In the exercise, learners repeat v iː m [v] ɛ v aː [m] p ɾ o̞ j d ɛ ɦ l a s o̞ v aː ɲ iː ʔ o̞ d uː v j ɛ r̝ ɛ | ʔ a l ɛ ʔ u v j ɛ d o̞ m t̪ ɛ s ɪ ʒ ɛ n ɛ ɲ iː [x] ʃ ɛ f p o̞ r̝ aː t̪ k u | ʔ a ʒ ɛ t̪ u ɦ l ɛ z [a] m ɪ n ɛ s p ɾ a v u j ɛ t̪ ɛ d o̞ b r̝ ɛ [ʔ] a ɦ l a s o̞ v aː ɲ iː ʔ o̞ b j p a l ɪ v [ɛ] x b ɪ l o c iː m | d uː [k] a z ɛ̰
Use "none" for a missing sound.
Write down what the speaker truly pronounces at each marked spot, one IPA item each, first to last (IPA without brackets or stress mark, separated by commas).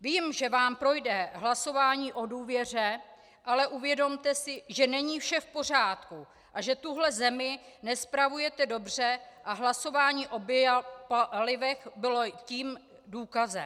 ʒ, m, f, ɛ, ʔ, ɛ, k